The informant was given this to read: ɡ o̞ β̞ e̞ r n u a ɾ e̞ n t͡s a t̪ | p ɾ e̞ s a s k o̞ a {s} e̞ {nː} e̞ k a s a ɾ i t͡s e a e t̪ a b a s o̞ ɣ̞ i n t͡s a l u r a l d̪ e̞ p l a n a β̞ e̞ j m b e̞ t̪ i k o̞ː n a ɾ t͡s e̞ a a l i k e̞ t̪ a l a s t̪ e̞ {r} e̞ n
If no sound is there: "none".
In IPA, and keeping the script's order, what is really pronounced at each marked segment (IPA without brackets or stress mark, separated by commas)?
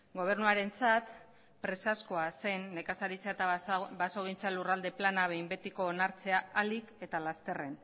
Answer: s, nː, r